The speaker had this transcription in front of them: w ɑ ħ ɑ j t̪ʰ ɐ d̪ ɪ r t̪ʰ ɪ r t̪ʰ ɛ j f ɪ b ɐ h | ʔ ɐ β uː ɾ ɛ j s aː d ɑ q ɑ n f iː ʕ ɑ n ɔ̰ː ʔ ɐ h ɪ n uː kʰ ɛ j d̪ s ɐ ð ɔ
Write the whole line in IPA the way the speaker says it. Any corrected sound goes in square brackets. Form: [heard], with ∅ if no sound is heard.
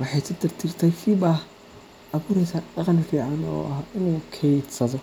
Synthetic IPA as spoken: w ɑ ħ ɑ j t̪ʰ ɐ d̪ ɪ r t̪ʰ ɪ r t̪ʰ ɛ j f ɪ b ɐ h | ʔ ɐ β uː ɾ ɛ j s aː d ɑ q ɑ n f iː ʕ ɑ n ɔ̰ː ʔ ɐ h ɪ n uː kʰ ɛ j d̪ s ɐ ð ɔ